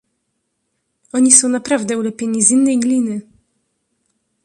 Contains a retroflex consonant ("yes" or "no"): no